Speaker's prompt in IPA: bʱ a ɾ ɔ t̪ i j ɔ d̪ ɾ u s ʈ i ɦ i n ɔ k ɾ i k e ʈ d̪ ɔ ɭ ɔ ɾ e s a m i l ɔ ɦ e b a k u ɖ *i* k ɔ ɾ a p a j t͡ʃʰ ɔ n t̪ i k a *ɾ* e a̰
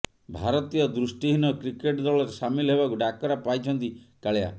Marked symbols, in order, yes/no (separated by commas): no, no